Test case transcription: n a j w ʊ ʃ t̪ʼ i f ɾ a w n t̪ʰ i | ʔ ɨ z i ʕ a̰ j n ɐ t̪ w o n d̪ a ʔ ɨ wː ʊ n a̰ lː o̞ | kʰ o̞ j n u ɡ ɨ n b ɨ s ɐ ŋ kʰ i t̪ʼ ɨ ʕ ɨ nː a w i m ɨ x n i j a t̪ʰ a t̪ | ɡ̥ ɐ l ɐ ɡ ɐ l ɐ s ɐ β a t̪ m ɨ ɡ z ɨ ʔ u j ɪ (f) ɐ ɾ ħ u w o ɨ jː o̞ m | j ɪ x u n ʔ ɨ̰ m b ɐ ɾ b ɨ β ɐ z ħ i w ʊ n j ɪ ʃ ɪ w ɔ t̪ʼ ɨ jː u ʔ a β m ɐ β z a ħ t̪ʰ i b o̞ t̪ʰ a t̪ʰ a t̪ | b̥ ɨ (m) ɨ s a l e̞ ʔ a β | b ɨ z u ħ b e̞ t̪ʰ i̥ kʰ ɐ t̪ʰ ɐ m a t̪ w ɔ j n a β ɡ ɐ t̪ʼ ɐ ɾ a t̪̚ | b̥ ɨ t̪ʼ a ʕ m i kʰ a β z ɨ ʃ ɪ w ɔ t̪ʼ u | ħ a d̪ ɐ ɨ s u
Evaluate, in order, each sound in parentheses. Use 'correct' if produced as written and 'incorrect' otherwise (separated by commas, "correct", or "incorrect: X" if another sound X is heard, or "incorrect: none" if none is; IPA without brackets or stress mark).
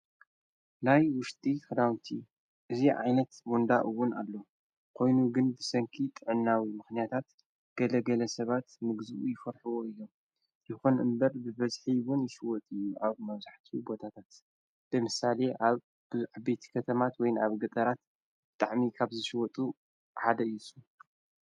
correct, correct